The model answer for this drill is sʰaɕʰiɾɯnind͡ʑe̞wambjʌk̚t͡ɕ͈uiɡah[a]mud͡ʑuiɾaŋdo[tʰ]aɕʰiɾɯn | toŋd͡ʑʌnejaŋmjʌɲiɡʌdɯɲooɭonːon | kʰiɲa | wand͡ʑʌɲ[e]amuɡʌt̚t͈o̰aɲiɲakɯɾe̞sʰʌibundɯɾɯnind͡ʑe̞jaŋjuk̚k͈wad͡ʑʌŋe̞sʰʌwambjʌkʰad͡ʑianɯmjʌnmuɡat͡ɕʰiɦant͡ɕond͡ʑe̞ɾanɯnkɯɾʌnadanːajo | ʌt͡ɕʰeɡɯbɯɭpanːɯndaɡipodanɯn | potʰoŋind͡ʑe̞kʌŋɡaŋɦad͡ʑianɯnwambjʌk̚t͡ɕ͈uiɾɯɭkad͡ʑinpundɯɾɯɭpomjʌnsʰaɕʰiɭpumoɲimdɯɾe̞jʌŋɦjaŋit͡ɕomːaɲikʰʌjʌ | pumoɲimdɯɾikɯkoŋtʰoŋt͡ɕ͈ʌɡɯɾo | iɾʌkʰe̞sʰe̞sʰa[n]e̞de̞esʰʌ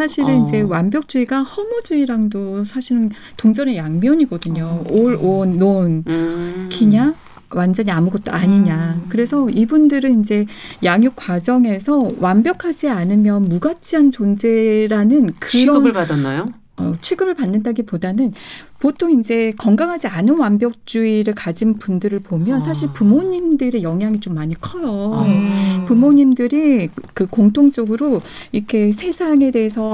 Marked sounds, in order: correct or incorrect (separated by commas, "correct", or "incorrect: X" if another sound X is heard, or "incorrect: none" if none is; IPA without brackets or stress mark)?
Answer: incorrect: ʌ, incorrect: sʰ, incorrect: i, incorrect: ŋ